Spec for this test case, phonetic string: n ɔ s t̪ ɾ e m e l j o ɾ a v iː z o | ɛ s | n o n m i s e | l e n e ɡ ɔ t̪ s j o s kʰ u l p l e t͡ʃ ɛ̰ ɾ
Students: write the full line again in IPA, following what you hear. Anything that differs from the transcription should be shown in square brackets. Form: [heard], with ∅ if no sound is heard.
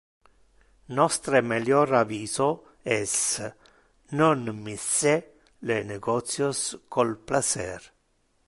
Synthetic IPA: n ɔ s t̪ ɾ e m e l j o ɾ a v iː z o | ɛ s | n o n m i s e | l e n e ɡ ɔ t̪ s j o s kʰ [o] l p l [a] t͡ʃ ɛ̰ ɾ